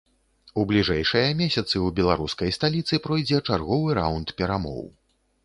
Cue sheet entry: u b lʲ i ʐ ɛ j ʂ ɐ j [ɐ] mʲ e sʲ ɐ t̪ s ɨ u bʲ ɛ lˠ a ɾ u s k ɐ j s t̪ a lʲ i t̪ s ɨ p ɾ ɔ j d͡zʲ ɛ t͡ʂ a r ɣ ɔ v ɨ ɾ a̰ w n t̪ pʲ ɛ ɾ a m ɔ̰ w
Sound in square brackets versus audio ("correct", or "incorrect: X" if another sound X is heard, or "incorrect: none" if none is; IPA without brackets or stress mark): correct